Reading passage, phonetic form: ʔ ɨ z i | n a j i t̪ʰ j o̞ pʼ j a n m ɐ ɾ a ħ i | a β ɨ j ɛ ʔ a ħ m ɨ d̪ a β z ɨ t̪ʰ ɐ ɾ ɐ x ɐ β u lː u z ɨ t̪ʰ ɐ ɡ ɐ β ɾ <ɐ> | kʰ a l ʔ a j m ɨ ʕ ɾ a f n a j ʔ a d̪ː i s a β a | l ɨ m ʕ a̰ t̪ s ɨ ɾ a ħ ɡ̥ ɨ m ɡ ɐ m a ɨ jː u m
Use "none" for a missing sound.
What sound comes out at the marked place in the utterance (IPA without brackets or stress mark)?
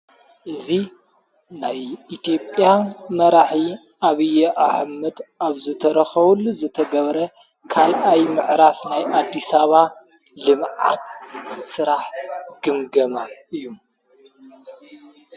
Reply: ɐ